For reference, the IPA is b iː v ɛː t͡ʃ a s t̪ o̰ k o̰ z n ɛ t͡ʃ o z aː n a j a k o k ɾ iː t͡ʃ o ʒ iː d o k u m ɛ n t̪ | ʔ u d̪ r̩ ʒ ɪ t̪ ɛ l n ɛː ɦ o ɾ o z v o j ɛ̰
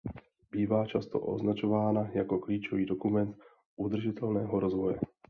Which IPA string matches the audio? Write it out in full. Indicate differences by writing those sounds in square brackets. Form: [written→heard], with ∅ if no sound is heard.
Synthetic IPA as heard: b iː v [ɛː→aː] t͡ʃ a s t̪ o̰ [k→ʔ] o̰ z n [ɛ→a] t͡ʃ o [z→v] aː n a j a k o k [ɾ→l] iː t͡ʃ o [ʒ→v] iː d o k u m ɛ n t̪ | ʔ u d̪ r̩ ʒ ɪ t̪ ɛ l n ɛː ɦ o ɾ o z v o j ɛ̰